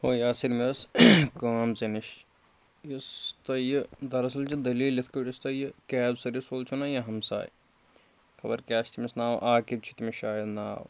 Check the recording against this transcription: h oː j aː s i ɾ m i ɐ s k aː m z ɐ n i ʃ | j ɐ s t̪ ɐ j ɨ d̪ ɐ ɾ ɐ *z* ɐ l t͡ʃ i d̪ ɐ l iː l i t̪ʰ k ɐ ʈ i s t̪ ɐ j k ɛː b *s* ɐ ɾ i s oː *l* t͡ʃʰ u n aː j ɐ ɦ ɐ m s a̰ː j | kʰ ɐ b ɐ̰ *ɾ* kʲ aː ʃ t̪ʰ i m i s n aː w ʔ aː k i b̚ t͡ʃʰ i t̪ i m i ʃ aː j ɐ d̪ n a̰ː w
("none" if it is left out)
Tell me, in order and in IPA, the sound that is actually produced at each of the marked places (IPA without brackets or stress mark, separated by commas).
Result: s, s, l, ɾ